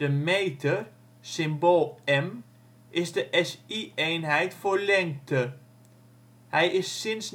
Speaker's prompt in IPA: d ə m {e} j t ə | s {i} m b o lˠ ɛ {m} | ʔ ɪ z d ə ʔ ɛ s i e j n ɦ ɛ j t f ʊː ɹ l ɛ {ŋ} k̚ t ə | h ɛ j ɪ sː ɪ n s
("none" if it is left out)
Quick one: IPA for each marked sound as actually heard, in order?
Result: e, ɪ, m, ŋ

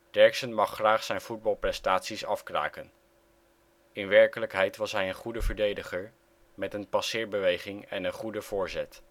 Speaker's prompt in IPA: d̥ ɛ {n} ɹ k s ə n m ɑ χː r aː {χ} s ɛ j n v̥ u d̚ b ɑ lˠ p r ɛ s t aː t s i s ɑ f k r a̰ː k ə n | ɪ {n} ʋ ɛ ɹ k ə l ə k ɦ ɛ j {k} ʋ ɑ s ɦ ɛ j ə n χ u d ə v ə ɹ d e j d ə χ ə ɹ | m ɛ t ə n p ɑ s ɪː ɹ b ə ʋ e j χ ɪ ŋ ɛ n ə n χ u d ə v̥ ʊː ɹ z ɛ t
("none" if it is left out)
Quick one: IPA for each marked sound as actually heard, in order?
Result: none, χ, n, t

